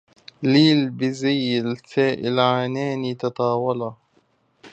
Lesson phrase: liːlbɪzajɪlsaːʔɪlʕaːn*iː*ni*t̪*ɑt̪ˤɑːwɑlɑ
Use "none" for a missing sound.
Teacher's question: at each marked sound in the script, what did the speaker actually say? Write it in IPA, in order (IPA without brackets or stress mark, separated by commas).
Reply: aː, t̪